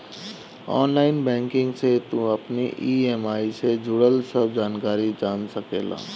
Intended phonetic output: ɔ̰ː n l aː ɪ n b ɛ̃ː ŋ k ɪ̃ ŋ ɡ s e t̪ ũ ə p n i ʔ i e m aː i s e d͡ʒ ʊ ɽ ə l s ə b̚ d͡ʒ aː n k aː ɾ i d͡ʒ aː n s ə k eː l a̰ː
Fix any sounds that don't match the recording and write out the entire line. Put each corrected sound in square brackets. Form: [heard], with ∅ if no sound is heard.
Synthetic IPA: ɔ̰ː n l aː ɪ n b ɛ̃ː ŋ k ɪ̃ ŋ ɡ s e t̪ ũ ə p n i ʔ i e m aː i s e d͡ʒ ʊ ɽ ə l s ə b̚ d͡ʒ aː n k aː ɾ i d͡ʒ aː n s ə k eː l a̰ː